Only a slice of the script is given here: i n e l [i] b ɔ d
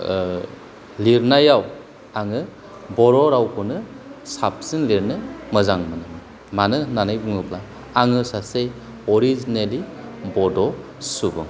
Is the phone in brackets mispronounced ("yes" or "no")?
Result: no